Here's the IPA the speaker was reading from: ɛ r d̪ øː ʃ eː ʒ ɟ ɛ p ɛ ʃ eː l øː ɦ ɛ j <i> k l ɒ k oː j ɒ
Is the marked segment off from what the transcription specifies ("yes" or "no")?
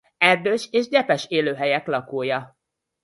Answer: yes